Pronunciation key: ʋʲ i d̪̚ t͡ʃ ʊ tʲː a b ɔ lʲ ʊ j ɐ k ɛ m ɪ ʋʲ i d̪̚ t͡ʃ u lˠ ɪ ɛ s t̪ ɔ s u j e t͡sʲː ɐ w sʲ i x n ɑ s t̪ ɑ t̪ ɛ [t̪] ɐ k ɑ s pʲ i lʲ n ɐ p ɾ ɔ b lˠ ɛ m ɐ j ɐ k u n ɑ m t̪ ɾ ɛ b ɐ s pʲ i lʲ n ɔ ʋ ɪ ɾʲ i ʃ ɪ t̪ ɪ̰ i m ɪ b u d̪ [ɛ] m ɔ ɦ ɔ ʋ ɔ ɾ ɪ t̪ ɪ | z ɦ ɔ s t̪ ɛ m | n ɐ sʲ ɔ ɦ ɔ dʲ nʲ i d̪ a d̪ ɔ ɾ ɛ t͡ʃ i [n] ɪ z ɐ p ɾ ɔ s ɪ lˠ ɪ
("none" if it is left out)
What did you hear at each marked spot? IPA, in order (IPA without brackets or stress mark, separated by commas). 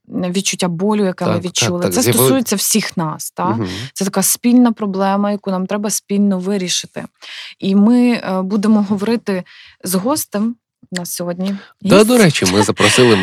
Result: t̪, e, m